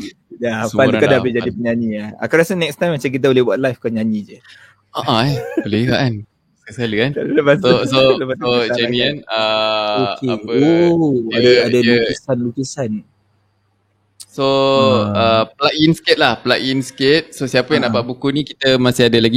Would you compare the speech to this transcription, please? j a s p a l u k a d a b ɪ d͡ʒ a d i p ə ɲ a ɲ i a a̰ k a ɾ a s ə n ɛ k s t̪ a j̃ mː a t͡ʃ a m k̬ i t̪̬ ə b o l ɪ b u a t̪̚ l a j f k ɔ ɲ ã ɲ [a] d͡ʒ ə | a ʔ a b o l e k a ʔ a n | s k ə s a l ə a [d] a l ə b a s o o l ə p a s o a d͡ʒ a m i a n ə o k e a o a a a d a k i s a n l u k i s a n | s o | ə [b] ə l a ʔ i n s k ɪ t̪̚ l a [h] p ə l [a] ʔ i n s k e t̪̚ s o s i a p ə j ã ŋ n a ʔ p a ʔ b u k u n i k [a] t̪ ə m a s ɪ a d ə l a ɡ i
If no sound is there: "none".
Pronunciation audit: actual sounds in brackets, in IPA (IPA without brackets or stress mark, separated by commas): i, n, p, h, a, i